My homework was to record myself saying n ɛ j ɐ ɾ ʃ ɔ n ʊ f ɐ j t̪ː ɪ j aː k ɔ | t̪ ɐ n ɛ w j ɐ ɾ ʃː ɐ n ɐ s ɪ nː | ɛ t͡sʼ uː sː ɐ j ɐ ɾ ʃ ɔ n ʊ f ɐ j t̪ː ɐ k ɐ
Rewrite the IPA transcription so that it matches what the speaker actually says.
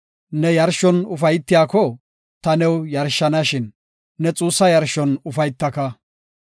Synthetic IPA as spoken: n ɛ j ɐ ɾ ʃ ɔ n ʊ f ɐ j t̪ː ɪ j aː k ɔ | t̪ ɐ n ɛ w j ɐ ɾ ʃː ɐ n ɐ ʃ ɪ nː | ɛ t͡sʼ uː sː ɐ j ɐ ɾ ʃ ɔ n ʊ f ɐ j t̪ː ɐ k ɐ